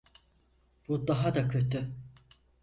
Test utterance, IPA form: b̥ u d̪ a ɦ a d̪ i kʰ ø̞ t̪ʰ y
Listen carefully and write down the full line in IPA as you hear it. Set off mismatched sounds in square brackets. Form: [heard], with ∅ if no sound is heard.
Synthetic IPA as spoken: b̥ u d̪ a ɦ a d̪ [a] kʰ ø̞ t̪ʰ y